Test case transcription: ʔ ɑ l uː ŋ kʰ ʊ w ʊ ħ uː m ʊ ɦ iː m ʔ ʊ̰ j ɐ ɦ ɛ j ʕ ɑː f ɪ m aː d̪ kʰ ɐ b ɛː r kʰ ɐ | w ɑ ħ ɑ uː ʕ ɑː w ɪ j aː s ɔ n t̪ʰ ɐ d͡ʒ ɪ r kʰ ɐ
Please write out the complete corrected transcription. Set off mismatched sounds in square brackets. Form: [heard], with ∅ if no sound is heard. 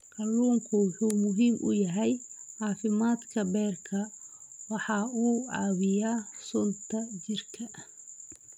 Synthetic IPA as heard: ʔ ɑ l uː ŋ kʰ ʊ w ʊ ħ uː m ʊ ɦ iː m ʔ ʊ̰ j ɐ ɦ ɛ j ʕ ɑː f ɪ m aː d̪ kʰ ɐ b ɛː r kʰ ɐ | w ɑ ħ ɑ uː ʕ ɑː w ɪ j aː s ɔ n t̪ʰ ɐ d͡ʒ ɪ r kʰ ɐ